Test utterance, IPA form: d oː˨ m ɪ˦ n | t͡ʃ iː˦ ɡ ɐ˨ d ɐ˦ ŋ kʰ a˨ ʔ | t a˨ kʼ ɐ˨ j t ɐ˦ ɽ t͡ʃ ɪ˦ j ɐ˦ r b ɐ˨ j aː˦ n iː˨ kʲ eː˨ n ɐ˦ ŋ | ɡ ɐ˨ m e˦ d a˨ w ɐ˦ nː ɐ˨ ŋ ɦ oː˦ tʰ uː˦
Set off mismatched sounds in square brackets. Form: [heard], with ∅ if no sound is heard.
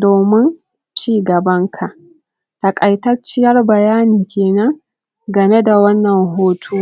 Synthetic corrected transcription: d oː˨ m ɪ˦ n | t͡ʃ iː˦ ɡ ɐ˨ [b] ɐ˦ ŋ kʰ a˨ ʔ | t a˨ kʼ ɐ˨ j t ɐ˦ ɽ t͡ʃ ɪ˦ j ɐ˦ r b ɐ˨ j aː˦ n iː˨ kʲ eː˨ n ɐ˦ ŋ | ɡ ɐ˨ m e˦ d a˨ w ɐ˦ nː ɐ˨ ŋ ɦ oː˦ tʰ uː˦